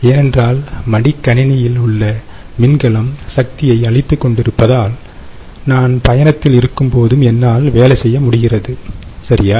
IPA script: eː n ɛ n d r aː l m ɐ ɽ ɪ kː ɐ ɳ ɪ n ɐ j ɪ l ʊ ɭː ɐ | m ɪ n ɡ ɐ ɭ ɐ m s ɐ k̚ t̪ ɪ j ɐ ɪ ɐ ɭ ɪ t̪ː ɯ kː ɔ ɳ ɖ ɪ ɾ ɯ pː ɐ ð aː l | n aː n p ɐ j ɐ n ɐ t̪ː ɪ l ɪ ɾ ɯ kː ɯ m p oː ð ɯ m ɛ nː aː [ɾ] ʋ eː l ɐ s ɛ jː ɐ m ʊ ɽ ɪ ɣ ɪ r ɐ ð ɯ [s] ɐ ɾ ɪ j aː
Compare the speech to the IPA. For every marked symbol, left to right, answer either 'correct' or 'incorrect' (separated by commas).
incorrect, correct